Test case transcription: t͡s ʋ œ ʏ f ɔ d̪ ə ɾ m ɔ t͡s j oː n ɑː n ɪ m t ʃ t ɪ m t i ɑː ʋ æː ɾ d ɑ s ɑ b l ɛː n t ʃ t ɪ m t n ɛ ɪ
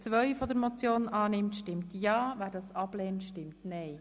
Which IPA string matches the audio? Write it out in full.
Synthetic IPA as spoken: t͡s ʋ œ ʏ f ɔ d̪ ə ɾ m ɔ t͡s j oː n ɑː n ɪ m t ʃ t ɪ m t j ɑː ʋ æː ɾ d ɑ s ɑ b l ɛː n t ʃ t ɪ m t n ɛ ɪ